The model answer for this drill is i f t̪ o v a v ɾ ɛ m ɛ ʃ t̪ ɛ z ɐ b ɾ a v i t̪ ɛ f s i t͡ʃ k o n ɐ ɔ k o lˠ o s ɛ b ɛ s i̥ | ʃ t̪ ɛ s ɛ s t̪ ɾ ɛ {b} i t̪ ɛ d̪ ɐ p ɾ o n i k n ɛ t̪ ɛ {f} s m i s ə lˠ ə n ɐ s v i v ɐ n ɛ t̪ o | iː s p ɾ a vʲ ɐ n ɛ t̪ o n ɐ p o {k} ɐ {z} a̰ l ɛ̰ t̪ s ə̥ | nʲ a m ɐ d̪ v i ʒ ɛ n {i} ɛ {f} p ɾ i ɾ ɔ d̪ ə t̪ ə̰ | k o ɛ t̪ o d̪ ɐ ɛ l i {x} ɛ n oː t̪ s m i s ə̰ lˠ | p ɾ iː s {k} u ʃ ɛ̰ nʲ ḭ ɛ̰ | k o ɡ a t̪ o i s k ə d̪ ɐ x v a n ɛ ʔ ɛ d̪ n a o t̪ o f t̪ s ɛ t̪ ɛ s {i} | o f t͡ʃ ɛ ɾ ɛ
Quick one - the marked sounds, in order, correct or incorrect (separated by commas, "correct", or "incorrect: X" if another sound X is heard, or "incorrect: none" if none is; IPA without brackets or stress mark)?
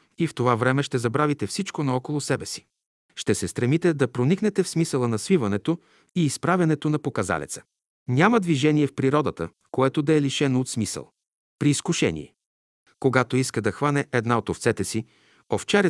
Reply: incorrect: m, correct, correct, correct, correct, correct, incorrect: ʃ, correct, correct